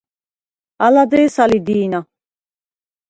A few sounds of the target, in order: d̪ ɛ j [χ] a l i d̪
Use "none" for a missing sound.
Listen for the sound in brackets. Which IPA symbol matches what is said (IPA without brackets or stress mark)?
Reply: s